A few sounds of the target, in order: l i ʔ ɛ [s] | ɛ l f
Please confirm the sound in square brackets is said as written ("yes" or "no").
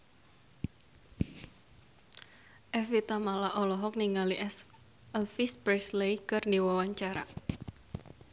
yes